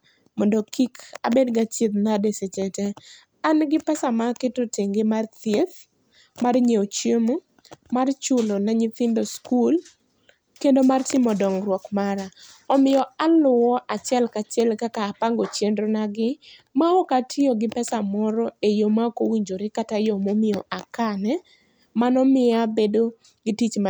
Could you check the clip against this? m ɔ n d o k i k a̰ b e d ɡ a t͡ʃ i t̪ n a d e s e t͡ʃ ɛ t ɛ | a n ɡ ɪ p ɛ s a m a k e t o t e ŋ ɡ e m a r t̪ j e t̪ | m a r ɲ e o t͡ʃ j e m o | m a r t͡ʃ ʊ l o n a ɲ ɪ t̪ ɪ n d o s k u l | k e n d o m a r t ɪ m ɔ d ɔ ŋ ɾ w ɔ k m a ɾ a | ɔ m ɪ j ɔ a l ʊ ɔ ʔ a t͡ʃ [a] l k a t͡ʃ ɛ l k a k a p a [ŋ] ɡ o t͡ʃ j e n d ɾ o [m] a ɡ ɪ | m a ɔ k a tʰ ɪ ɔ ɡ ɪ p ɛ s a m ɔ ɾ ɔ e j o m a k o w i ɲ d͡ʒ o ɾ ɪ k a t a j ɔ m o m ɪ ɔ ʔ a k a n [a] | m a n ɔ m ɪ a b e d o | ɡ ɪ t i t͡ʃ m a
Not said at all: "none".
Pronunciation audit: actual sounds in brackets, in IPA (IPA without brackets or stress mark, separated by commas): ɛ, ŋ, n, ɛ